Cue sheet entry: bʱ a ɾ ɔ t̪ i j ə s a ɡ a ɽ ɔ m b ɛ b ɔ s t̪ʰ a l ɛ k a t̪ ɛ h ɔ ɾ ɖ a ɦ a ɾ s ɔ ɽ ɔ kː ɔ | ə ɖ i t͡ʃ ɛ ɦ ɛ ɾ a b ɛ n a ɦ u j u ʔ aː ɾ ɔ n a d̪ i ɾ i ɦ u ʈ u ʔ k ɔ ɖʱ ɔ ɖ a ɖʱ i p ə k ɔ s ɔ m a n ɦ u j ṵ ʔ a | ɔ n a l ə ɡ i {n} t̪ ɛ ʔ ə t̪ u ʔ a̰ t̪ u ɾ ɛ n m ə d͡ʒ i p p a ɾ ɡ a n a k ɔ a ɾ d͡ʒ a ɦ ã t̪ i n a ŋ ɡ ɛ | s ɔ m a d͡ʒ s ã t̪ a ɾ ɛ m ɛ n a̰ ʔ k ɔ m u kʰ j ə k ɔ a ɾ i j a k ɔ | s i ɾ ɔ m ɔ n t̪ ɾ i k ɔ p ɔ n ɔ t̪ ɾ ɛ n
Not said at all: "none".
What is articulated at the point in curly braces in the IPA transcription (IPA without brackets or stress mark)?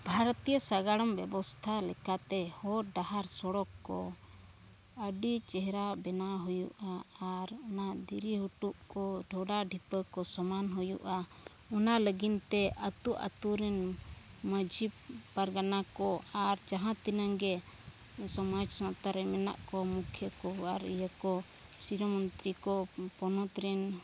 n